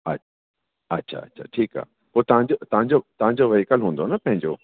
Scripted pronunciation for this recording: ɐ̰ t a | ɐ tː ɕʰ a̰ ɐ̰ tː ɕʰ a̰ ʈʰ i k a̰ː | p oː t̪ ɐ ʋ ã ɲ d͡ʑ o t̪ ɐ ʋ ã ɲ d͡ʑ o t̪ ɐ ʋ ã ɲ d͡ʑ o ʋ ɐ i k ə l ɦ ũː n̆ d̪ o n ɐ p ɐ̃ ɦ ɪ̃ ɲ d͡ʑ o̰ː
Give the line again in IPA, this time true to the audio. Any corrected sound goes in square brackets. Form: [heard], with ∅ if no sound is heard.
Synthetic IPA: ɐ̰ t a | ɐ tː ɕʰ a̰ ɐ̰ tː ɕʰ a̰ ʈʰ [iː] k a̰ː | p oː t̪ ɐ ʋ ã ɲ d͡ʑ o t̪ ɐ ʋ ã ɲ d͡ʑ o t̪ ɐ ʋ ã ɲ d͡ʑ o ʋ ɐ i k ə l ɦ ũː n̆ d̪ o n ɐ p ɐ̃ ɦ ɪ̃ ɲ d͡ʑ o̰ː